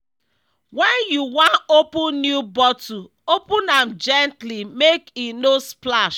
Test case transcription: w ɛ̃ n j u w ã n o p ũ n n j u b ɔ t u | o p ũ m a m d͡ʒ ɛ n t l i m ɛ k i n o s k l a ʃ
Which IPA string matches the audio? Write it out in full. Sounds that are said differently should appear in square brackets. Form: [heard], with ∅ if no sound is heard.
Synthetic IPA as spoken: w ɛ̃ n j u w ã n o p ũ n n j u b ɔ t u | o p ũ [n] a m d͡ʒ ɛ n t l i m [e] k i n o s [p] l a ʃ